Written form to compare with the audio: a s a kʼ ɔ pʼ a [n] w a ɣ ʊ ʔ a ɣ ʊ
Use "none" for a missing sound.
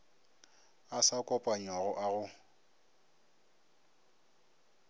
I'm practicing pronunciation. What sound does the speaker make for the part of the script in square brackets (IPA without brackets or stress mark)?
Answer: ɲ